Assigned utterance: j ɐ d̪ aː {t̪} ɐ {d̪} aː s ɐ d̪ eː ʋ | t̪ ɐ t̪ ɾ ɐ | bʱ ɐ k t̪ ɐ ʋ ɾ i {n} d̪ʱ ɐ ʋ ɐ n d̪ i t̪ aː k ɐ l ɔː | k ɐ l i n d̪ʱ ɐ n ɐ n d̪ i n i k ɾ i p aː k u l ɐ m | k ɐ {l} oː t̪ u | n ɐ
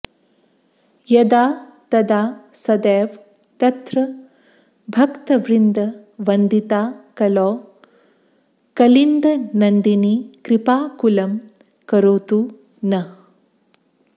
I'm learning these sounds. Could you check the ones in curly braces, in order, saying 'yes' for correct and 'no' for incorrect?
yes, yes, yes, no

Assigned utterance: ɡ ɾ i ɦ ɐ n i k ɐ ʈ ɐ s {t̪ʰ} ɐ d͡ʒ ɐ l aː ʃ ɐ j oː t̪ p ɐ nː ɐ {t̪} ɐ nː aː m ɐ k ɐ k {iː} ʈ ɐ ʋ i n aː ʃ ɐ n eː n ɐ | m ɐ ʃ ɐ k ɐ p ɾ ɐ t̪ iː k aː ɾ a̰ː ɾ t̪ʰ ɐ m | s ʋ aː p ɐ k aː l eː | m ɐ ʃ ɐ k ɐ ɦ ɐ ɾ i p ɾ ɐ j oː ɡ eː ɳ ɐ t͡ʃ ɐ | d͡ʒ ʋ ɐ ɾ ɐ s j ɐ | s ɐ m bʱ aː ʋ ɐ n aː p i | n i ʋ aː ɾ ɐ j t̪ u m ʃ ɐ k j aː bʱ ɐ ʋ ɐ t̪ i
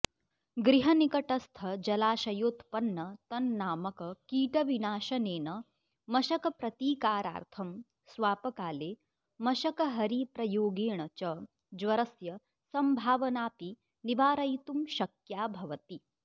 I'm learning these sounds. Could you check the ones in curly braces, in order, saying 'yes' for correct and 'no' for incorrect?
yes, yes, yes

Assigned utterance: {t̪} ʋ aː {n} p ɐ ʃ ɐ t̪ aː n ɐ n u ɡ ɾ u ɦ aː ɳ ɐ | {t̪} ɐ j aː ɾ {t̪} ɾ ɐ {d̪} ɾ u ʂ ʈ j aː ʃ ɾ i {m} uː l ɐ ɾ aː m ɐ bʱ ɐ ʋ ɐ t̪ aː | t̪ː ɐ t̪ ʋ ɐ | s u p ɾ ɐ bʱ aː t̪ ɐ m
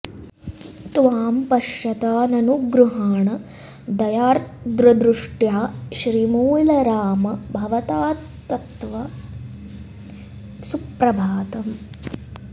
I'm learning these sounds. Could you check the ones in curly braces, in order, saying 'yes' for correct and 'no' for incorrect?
yes, no, no, no, yes, yes

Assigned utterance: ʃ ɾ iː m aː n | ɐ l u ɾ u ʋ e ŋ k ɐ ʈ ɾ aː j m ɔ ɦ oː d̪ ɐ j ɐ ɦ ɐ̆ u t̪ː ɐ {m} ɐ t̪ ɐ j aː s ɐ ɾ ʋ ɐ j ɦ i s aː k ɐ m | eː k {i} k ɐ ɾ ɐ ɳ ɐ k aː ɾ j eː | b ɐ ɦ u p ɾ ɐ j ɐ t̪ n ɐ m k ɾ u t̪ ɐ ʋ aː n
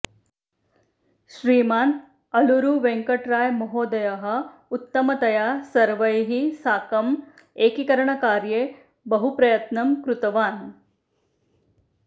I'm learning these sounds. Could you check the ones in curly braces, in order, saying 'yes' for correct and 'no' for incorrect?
yes, yes

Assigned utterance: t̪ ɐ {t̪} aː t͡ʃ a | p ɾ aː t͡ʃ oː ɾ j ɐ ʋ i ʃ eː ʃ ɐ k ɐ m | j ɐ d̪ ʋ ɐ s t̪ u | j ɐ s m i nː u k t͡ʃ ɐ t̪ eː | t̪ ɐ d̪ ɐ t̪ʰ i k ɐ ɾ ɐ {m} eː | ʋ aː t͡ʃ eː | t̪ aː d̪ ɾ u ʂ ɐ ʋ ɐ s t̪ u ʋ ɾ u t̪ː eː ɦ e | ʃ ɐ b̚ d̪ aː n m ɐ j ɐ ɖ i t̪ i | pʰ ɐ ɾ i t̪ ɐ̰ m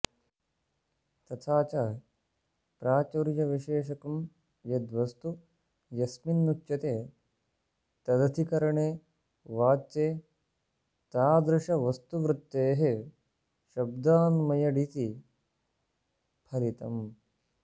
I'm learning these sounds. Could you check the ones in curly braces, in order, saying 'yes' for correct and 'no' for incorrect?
no, no

